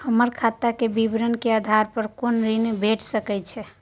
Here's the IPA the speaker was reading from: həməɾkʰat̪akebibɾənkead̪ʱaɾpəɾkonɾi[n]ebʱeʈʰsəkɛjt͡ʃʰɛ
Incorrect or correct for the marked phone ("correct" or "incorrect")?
correct